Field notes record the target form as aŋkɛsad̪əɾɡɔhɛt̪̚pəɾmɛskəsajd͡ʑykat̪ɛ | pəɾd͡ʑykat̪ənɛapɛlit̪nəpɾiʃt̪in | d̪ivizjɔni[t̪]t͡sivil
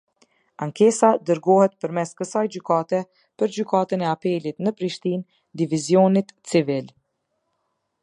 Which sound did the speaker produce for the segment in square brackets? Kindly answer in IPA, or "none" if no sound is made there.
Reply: t̪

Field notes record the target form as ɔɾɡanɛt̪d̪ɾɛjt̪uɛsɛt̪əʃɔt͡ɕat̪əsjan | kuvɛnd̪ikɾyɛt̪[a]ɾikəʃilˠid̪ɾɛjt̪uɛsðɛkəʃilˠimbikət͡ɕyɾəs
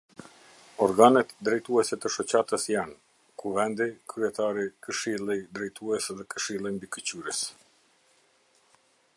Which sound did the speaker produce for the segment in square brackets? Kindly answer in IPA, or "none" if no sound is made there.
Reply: a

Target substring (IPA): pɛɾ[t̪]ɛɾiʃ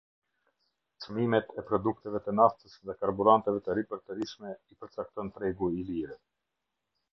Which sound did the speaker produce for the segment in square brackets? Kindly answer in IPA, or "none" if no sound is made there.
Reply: t̪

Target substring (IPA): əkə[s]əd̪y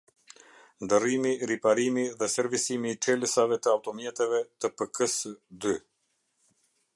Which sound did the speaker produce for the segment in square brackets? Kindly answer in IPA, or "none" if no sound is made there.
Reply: s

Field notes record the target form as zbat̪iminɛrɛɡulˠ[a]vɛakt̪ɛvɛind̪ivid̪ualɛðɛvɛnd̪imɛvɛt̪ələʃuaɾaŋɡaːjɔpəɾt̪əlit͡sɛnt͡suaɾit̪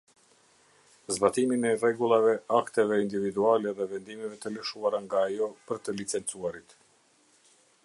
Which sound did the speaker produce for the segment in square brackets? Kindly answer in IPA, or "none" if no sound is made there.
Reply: a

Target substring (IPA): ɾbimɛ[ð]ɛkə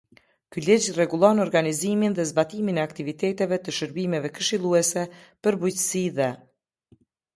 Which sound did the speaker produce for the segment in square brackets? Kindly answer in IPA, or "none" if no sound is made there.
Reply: v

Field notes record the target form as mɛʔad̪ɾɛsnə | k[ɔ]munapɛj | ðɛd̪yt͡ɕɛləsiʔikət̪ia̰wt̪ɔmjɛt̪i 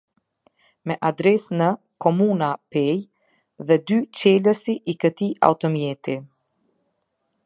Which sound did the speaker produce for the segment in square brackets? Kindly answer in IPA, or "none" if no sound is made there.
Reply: ɔ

